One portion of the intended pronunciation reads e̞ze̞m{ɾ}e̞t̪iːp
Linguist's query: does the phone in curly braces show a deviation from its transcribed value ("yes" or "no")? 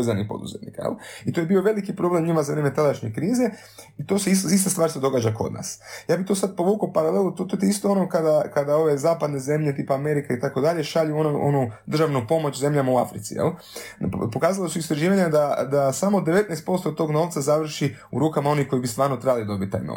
yes